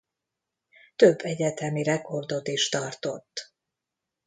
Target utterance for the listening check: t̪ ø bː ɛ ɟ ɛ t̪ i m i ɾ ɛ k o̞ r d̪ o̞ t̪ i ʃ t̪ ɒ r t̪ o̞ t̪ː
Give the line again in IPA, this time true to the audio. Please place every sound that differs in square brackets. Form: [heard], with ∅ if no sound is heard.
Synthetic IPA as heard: t̪ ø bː ɛ ɟ ɛ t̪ [ɛ] m i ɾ ɛ k o̞ r d̪ o̞ t̪ i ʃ t̪ ɒ r t̪ o̞ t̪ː